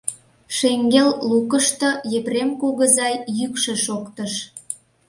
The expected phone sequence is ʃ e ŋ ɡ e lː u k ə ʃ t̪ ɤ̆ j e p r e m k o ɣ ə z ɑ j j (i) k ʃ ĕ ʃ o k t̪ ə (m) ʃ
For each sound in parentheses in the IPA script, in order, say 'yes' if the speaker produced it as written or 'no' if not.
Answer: no, no

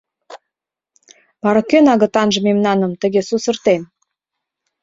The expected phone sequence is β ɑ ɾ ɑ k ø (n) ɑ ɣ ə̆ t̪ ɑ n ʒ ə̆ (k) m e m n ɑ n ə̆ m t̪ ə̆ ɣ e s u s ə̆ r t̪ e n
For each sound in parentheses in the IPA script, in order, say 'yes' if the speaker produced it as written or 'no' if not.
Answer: yes, no

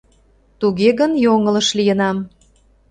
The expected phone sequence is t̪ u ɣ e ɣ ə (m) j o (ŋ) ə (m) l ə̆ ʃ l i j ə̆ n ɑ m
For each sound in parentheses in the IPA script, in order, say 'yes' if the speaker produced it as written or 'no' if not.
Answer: no, yes, no

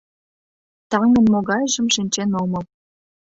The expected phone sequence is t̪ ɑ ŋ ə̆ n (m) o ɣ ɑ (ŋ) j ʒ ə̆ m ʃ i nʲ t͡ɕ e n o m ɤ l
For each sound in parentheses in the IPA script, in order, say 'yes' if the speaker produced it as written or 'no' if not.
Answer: yes, no

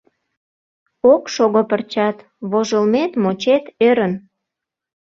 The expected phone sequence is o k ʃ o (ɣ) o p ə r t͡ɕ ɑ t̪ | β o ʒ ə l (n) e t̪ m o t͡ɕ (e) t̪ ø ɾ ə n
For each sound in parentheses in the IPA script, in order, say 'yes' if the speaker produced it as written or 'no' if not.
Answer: yes, no, yes

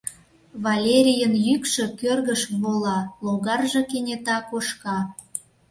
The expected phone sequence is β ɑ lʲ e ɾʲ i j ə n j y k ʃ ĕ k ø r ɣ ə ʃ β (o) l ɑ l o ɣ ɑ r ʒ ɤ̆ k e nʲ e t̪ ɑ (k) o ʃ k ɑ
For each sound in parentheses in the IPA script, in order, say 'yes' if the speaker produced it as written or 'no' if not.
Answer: yes, yes

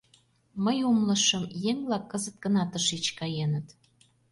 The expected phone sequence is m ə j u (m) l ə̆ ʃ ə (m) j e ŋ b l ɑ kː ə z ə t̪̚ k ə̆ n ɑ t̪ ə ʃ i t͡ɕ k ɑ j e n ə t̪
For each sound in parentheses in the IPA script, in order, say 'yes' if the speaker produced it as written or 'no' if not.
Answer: yes, yes

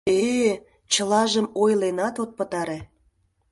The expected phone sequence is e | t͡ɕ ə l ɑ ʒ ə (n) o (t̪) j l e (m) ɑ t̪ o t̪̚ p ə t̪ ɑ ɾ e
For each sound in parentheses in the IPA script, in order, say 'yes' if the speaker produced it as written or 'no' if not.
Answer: no, no, no

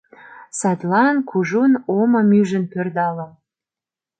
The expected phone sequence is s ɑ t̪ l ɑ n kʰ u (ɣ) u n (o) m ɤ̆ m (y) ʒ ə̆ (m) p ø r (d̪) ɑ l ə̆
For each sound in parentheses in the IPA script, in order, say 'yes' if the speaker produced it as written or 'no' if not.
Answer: no, yes, yes, no, yes

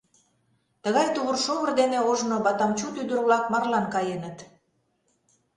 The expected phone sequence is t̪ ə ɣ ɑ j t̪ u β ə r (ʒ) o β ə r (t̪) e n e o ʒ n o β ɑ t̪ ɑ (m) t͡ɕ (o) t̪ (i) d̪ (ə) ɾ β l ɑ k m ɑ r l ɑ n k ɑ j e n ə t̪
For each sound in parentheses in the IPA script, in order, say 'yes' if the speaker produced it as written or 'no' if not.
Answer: no, no, yes, no, no, yes

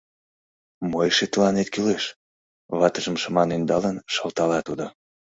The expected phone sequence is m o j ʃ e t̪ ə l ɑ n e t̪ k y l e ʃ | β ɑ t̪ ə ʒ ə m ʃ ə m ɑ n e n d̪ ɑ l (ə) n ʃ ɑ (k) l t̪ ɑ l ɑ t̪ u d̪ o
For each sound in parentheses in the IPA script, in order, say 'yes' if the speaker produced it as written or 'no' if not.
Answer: yes, no

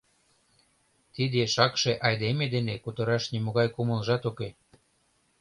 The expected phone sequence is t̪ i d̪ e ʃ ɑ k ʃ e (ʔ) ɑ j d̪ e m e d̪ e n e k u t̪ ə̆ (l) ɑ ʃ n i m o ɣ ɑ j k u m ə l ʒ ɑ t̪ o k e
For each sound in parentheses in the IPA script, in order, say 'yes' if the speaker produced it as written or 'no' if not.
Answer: yes, no

